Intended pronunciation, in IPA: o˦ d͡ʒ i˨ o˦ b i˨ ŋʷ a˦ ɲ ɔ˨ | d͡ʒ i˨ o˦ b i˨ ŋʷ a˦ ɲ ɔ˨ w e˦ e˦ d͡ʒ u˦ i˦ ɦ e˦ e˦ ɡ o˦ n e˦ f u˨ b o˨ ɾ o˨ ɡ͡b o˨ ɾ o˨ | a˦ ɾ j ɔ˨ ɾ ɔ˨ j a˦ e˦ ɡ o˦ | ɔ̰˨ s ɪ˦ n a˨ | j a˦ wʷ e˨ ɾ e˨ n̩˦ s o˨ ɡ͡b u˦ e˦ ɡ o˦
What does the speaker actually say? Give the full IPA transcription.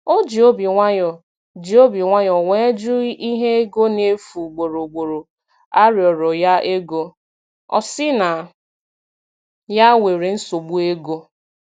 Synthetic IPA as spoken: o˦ d͡ʒ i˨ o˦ b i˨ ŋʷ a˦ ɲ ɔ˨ | d͡ʒ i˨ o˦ b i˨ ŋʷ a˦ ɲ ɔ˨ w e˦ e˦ d͡ʒ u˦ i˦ ɦ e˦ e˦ ɡ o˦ n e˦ f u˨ ɡ͡b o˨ ɾ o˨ ɡ͡b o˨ ɾ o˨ | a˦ ɾ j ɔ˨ ɾ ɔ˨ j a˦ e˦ ɡ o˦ | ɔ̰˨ s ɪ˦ n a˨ | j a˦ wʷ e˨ ɾ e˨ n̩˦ s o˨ ɡ͡b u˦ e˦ ɡ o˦